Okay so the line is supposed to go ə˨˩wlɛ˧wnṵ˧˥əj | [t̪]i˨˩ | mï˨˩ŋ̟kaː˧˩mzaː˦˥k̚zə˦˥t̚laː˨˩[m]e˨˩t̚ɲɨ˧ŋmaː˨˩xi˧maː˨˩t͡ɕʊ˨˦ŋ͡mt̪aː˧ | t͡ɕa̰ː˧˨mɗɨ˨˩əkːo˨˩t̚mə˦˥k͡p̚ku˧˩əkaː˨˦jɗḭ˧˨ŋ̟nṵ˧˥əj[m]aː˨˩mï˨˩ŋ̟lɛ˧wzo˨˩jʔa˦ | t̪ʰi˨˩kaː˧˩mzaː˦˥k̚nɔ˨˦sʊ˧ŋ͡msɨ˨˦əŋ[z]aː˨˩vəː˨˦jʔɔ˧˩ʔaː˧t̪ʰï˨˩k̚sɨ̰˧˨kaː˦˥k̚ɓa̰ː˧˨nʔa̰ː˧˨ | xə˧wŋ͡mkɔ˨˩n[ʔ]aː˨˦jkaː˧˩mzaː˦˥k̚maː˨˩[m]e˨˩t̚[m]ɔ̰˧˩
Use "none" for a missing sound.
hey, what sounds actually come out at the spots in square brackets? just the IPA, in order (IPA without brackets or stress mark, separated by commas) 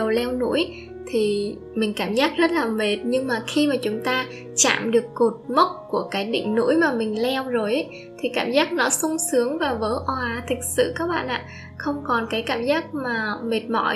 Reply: t̪ʰ, m, m, v, k, m, m